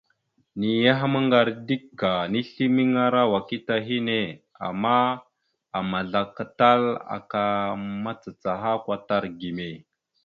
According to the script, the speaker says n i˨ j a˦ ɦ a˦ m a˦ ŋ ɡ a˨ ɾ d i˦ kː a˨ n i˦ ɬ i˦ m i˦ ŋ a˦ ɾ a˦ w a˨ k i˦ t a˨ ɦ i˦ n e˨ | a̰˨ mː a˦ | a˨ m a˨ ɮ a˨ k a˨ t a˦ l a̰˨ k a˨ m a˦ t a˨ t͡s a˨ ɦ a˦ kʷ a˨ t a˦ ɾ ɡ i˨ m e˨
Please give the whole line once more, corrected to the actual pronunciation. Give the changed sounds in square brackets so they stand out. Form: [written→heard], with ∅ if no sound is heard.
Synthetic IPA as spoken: n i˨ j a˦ ɦ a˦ m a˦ ŋ ɡ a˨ ɾ d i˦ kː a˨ n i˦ ɬ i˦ m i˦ ŋ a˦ ɾ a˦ w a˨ k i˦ t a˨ ɦ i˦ n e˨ | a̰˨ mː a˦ | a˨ m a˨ ɮ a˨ k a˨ t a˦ l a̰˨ k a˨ m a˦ [t→t͡s] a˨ t͡s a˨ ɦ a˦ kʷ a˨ t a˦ ɾ ɡ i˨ m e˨